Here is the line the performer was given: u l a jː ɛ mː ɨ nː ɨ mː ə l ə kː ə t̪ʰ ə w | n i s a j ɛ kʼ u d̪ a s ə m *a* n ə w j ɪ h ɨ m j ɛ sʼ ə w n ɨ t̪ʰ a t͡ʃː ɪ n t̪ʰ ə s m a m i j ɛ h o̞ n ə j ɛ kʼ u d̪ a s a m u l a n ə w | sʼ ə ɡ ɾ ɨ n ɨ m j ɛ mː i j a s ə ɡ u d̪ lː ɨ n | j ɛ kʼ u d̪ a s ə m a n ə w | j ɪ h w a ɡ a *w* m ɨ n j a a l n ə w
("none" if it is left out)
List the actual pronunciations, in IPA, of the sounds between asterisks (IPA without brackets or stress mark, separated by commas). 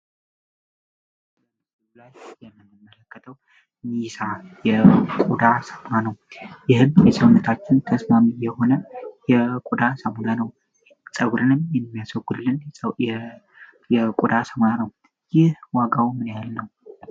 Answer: a, w